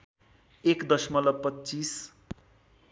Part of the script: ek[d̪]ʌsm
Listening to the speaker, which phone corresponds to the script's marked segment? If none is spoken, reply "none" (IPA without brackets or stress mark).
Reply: d̪